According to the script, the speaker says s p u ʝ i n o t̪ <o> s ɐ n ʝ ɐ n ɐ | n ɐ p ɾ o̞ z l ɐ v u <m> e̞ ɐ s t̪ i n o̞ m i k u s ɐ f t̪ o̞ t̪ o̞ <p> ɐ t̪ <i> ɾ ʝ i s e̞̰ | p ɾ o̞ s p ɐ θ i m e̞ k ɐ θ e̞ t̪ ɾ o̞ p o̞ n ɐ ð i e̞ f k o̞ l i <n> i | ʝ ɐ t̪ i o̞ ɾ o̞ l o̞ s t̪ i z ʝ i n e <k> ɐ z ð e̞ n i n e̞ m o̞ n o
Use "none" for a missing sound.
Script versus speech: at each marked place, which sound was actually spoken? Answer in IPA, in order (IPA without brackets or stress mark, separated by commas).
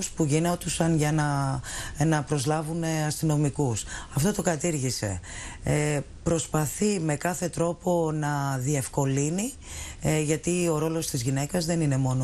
u, n, k, i, n, k